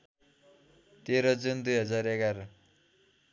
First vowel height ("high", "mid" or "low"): mid